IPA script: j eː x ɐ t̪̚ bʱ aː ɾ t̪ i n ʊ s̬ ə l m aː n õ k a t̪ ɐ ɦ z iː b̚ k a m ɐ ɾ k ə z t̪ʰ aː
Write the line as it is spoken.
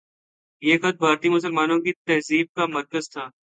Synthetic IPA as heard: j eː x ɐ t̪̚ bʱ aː ɾ t̪ i m ʊ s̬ ə l m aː n õ k i t̪ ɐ ɦ z iː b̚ k a m ɐ ɾ k ə z t̪ʰ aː

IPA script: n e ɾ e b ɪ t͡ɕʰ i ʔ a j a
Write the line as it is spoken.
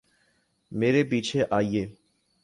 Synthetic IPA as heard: m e ɾ e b i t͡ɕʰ e ʔ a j e

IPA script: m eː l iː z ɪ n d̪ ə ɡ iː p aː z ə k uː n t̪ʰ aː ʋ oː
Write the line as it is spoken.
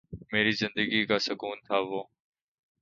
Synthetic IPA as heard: m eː ɾ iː z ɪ n d̪ ə ɡ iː k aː s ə k uː n t̪ʰ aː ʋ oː

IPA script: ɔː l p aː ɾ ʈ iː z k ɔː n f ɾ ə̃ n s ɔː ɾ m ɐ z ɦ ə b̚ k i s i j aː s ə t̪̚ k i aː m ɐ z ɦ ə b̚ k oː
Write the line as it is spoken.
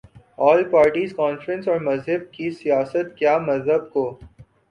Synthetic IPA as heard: ɔː l p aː ɾ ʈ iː z k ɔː n f ɾ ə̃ n s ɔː ɾ m ɐ z ɦ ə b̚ k i s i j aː s ə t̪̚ k j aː m ɐ z ɦ ə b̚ k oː

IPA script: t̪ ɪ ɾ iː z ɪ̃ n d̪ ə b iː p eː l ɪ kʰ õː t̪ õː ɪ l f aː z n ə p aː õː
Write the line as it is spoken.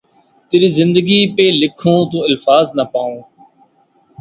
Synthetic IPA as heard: t̪ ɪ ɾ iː z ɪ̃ n d̪ ə ɡ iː p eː l ɪ kʰ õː t̪ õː ɪ l f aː z n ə p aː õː

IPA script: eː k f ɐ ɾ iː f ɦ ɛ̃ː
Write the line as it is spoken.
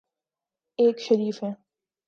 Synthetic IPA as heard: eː k ʃ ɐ ɾ iː f ɦ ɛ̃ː

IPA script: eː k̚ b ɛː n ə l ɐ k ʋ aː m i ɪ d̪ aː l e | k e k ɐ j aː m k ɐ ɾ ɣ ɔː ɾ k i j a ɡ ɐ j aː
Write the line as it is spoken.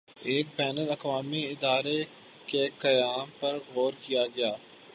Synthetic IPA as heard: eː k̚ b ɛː n ə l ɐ k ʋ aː m i ɪ d̪ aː ɾ e | k e k ɐ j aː m p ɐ ɾ ɣ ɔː ɾ k i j a ɡ ɐ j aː

